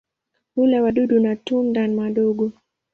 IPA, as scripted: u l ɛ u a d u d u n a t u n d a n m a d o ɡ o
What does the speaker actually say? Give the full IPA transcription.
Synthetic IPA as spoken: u l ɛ w a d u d u n a t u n d a n m a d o ɡ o